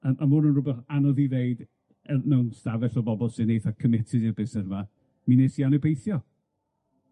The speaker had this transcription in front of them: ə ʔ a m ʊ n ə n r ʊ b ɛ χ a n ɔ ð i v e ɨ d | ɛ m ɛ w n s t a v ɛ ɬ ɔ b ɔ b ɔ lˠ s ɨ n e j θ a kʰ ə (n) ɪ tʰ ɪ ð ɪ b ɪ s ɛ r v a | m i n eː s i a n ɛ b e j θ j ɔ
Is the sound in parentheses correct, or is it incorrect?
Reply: incorrect